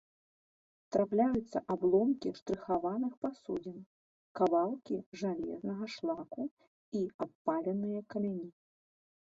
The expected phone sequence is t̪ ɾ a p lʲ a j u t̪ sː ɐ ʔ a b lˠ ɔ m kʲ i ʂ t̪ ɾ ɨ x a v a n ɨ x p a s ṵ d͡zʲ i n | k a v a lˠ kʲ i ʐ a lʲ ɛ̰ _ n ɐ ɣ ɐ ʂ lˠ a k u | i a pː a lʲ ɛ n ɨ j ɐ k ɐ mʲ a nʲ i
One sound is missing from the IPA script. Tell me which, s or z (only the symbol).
z